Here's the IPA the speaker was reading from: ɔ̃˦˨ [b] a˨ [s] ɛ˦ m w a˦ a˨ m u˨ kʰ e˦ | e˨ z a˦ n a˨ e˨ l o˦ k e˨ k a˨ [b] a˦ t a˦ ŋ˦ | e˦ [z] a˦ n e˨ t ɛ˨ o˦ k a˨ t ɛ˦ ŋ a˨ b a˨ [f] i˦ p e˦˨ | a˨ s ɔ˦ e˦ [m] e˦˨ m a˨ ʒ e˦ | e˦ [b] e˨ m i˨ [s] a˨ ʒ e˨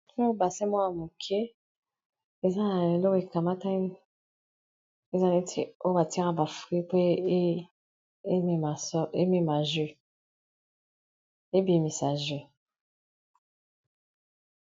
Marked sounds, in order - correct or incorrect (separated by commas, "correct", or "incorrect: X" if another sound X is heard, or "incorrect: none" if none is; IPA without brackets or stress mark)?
correct, correct, incorrect: m, correct, correct, correct, correct, correct